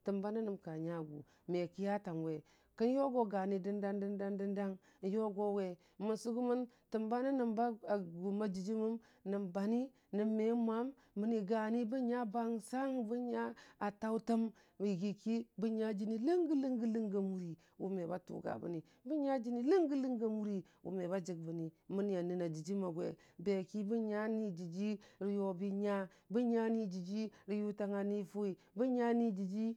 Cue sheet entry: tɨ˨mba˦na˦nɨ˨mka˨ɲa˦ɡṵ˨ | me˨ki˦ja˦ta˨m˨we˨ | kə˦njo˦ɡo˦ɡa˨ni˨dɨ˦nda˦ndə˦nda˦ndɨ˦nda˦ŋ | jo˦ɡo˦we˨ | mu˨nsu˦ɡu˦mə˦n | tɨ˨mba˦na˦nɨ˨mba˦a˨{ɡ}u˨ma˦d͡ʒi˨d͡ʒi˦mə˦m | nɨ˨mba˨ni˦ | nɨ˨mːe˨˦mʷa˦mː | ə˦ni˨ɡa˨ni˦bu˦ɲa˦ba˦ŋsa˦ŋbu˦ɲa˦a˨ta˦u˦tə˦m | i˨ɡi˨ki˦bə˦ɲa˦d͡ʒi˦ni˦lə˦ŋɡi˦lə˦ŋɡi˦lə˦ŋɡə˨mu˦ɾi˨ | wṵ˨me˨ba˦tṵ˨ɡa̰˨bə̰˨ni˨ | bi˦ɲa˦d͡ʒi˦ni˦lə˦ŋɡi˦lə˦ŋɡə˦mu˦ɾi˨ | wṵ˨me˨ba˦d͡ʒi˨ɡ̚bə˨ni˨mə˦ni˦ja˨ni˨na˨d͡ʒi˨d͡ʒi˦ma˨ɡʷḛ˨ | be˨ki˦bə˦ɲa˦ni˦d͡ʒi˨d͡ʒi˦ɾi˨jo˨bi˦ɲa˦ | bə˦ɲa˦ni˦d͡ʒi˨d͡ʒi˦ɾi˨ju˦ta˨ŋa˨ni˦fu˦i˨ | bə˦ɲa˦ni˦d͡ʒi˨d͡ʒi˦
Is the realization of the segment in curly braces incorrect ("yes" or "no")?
no